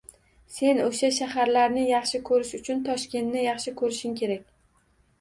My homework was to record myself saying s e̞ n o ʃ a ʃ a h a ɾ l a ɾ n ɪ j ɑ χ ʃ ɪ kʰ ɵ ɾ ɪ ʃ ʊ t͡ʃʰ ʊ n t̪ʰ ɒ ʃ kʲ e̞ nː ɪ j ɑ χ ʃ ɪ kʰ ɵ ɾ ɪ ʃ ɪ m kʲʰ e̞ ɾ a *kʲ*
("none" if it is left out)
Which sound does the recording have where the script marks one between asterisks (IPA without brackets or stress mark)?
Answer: kʲ